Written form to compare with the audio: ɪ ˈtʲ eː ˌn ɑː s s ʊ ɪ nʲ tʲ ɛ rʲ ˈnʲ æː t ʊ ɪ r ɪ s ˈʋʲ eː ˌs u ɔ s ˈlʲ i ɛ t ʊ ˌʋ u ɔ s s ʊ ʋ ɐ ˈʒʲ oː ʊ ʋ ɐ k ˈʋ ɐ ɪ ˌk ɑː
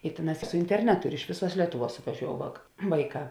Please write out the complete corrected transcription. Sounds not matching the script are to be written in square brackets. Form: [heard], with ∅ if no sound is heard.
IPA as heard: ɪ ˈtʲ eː ˌn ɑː s s ʊ ɪ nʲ tʲ ɛ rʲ ˈnʲ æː t ʊ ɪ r ɪ [ʃ] ˈʋʲ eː ˌs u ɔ s ˈlʲ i ɛ t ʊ ˌʋ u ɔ s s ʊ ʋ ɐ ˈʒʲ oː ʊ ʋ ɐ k ˈʋ ɐ ɪ ˌk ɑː